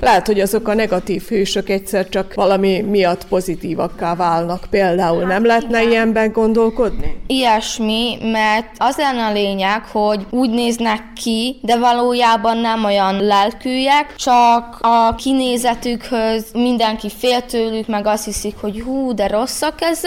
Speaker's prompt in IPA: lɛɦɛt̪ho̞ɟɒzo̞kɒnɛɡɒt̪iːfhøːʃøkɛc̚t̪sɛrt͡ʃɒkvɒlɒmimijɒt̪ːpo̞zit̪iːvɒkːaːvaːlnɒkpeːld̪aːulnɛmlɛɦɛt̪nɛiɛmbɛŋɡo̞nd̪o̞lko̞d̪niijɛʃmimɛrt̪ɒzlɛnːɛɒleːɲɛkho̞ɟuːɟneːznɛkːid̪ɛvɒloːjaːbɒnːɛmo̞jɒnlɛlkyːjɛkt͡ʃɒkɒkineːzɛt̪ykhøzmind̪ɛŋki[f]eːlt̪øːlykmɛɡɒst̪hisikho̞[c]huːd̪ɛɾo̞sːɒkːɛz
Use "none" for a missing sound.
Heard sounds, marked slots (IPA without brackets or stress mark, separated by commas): f, ɟ